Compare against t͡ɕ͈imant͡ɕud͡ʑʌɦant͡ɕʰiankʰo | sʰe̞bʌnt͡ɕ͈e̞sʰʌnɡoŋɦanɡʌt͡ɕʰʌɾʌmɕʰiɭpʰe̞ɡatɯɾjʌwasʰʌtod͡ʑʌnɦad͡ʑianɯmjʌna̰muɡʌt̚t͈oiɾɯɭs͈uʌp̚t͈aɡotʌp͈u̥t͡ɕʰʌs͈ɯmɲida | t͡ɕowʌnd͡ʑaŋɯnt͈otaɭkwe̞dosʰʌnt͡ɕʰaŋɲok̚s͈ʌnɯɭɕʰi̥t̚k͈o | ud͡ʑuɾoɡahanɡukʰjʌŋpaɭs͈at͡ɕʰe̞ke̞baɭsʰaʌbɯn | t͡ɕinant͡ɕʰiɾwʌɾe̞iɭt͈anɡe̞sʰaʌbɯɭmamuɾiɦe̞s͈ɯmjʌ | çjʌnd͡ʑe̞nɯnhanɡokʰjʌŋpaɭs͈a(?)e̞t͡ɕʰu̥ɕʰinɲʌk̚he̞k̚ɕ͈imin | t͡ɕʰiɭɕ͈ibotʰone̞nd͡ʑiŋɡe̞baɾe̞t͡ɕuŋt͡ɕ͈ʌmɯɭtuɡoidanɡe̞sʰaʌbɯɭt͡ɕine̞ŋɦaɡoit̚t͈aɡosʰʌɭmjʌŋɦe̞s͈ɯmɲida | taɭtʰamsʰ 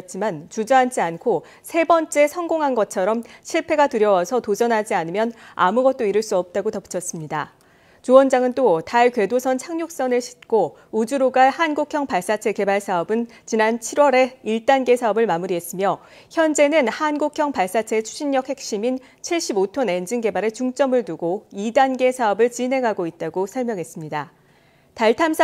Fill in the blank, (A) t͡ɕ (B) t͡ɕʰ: B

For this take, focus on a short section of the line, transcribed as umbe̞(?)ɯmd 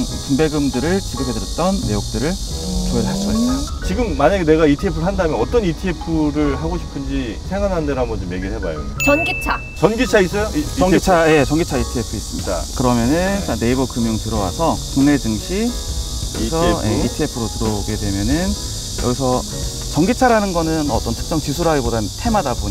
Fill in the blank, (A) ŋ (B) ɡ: B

